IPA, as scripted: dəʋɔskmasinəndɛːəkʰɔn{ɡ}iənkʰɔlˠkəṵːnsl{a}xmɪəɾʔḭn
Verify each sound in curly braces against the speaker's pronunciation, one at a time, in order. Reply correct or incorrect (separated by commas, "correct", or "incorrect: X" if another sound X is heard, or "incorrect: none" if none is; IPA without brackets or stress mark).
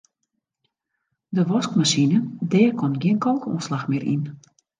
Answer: correct, correct